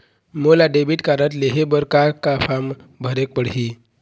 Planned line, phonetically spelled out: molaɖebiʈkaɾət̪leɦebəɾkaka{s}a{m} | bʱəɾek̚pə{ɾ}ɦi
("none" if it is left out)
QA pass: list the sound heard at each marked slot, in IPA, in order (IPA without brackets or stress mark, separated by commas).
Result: f, m, ɽ